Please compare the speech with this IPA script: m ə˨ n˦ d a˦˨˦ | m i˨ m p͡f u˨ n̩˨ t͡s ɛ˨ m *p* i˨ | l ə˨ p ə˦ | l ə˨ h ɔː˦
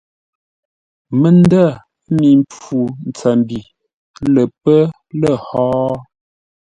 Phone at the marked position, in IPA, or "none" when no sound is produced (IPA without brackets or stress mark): b